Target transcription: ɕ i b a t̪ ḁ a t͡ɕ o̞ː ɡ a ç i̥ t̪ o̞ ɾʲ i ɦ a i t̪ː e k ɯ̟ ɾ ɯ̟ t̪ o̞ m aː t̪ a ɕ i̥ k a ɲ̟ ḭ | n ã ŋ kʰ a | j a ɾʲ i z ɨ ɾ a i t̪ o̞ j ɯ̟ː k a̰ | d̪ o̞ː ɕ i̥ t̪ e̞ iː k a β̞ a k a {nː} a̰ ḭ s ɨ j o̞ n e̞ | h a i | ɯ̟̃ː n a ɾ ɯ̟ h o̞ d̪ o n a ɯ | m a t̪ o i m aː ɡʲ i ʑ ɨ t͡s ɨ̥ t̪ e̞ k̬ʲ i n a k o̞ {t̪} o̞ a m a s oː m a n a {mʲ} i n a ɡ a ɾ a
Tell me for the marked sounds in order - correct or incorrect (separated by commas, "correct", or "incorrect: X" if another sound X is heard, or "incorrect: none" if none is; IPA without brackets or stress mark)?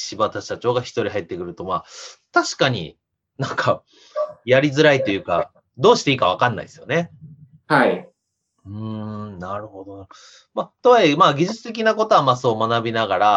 correct, correct, incorrect: bʲ